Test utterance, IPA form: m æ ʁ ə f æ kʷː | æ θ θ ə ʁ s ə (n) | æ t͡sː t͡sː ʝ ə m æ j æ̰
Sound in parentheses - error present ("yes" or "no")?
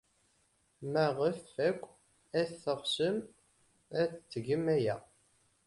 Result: yes